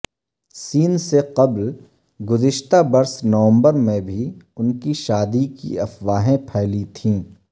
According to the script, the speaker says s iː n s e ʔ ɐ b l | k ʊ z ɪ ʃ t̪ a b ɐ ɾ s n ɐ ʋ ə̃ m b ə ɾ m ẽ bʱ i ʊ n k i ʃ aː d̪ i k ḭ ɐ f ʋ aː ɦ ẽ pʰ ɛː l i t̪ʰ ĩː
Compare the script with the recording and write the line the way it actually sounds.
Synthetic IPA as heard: s iː n s e q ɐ b l | ɡ ʊ z ɪ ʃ t̪ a b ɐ ɾ s n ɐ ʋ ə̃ m b ə ɾ m ẽ bʱ i ʊ n k i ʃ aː d̪ i k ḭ ɐ f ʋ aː ɦ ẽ pʰ ɛː l i t̪ʰ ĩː